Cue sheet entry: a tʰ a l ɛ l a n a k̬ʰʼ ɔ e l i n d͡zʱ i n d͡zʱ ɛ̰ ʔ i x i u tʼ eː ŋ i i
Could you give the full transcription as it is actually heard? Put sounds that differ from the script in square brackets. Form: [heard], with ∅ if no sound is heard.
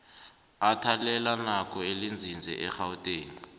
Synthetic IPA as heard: a tʰ a l ɛ l a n a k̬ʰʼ ɔ e l i n d͡zʱ i n d͡zʱ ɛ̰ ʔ [ɛ] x [a] u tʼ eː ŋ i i